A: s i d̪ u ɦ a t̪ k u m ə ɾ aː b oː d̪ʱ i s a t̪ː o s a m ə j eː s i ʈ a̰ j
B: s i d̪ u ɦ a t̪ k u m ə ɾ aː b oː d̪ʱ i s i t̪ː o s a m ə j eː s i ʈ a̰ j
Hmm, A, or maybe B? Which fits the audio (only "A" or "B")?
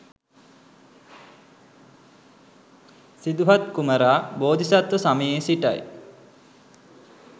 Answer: A